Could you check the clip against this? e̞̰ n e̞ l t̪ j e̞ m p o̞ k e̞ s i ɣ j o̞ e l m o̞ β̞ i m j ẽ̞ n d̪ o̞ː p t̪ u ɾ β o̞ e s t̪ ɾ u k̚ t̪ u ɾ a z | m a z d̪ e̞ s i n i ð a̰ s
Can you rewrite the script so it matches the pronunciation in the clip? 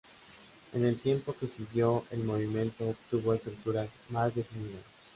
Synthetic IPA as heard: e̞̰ n e̞ l t̪ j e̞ m p o̞ k e̞ s i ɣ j o̞ e l m o̞ β̞ i m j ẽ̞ n t̪ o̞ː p t̪ u β o̞ e s t̪ ɾ u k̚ t̪ u ɾ a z | m a z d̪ e̞ f i n i ð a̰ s